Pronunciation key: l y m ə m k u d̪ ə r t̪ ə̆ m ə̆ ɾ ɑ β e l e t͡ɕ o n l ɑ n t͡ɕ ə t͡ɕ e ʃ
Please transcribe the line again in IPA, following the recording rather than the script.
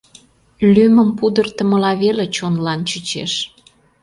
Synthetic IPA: l y m ə m p u d̪ ə r t̪ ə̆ m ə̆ l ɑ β e l e t͡ɕ o n l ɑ n t͡ɕ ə t͡ɕ e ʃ